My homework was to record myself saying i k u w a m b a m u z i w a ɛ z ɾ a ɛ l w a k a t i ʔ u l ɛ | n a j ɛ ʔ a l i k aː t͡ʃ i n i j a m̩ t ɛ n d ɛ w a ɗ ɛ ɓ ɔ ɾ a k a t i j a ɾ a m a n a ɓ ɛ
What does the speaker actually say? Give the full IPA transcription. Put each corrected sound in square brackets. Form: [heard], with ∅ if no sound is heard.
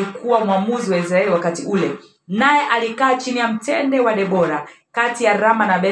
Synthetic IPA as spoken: i k u w a m [w] a m u z i w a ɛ z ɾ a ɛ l w a k a t i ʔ u l ɛ | n a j ɛ ʔ a l i k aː t͡ʃ i n i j a m̩ t ɛ n d ɛ w a ɗ ɛ ɓ ɔ ɾ a k a t i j a ɾ a m a n a ɓ ɛ